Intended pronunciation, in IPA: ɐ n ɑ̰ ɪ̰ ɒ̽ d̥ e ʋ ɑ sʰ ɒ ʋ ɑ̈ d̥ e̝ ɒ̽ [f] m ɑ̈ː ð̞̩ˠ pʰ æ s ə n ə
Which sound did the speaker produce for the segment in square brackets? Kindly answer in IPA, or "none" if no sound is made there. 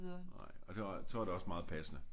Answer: s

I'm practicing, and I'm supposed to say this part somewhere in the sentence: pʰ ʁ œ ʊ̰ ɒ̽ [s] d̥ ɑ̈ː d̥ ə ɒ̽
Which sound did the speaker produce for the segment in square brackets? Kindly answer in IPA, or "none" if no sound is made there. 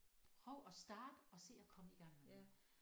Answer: s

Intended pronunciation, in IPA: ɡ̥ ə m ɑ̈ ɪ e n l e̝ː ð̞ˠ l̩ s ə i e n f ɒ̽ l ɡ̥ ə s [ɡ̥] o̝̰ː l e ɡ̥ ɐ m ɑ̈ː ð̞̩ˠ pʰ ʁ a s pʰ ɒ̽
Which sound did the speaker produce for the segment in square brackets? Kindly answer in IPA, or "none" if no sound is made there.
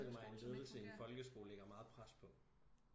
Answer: ɡ̥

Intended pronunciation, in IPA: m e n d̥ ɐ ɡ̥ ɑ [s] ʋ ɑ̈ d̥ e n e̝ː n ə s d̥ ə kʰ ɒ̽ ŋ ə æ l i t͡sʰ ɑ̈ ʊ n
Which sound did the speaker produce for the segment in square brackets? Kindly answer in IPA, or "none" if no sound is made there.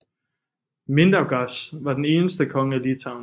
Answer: s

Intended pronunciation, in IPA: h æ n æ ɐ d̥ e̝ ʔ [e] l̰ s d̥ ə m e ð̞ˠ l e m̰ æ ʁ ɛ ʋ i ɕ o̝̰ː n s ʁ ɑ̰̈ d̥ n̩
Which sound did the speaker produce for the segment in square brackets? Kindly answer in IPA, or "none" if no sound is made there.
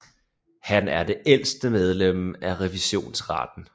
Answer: e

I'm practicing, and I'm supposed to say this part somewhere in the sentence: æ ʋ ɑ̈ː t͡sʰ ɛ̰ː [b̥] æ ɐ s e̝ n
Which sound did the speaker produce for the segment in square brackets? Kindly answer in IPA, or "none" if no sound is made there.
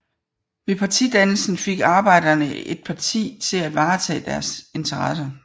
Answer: d̥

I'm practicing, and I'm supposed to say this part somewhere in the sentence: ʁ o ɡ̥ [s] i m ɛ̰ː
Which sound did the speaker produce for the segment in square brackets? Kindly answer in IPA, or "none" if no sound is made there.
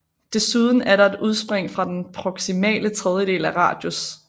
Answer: s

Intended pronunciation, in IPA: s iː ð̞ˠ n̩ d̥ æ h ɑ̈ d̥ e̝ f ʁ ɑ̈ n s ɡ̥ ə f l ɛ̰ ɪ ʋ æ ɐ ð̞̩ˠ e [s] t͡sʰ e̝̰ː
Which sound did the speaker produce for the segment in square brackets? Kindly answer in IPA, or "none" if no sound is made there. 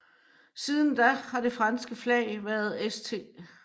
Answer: s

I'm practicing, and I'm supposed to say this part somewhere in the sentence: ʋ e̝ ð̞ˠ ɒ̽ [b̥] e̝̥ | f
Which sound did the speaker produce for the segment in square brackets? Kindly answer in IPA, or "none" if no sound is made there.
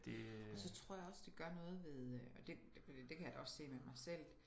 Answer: d̥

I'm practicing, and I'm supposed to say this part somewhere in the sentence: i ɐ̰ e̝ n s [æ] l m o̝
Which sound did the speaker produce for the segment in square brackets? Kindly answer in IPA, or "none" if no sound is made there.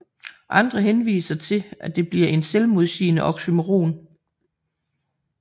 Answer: e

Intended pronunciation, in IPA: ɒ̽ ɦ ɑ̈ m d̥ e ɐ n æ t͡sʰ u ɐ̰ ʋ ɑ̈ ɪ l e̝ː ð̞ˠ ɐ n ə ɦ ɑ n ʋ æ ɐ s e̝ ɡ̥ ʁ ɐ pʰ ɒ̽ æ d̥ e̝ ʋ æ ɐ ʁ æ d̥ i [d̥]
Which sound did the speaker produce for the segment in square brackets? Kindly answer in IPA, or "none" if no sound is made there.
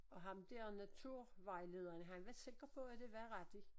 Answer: none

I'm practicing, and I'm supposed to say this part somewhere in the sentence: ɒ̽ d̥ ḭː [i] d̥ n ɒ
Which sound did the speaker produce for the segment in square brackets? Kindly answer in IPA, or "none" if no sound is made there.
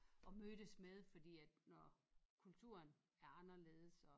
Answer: æ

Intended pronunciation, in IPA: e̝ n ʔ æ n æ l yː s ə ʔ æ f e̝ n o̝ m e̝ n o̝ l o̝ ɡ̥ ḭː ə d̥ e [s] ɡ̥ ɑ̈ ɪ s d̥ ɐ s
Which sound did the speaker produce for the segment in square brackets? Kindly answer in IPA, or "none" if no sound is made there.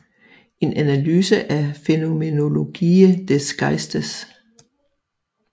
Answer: s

